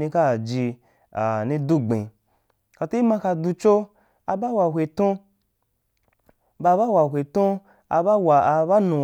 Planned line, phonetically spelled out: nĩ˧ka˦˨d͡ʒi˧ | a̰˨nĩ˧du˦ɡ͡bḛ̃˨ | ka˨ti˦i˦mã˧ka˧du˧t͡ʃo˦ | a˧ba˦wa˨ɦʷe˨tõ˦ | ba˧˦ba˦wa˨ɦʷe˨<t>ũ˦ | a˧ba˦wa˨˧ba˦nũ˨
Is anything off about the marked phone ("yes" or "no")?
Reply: no